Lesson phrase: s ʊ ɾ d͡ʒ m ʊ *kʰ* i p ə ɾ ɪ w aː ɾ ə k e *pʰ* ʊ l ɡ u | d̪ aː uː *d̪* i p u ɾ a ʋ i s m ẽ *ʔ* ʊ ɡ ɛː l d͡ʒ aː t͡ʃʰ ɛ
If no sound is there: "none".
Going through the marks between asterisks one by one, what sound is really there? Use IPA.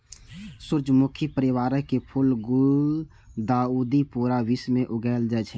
kʰ, pʰ, d̪, ʔ

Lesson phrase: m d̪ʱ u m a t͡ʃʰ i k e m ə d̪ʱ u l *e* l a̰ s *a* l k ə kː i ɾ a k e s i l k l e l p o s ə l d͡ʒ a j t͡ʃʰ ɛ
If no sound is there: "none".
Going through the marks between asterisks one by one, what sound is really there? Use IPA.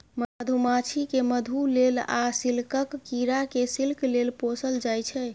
e, i

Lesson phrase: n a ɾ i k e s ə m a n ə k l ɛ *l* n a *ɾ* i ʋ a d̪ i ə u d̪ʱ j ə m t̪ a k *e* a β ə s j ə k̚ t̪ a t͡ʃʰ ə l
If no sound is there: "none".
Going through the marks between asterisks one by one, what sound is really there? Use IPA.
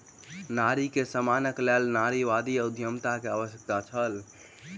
l, ɾ, e

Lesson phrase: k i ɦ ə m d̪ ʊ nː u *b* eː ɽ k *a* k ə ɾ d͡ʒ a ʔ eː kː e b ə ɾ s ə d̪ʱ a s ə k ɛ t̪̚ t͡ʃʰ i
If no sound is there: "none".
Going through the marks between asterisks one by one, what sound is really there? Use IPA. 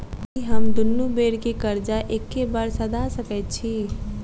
b, e

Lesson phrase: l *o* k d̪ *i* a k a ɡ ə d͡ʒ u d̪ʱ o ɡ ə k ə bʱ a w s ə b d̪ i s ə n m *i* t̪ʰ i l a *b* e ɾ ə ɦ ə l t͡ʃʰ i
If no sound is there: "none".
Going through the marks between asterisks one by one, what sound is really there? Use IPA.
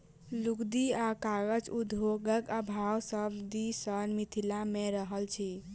u, i, i, m

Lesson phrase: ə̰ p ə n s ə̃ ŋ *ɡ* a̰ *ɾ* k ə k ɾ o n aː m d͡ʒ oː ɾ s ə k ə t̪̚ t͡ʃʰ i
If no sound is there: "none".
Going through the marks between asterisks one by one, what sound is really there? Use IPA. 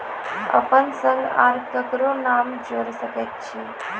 ɡ, ɾ

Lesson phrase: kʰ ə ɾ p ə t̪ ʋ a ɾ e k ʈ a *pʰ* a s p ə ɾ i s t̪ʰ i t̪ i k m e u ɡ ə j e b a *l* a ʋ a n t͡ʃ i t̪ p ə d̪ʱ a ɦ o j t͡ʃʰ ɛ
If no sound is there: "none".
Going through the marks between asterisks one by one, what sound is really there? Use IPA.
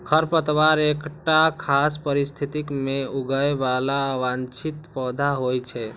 kʰ, l

